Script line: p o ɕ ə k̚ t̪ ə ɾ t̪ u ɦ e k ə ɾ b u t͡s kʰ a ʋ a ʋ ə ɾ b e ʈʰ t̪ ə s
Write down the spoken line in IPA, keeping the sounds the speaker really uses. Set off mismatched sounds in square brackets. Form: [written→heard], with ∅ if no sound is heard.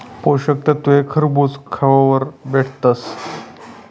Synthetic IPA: p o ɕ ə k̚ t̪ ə [ɾ→∅] t̪ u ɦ e [k→kʰ] ə ɾ b u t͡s kʰ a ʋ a ʋ ə ɾ b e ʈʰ t̪ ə s